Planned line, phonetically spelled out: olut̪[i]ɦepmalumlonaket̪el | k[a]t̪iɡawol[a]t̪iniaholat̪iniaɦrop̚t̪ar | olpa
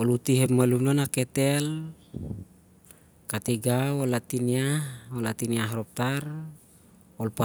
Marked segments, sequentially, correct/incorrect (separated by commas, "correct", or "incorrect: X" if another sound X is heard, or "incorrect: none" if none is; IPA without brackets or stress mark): correct, correct, correct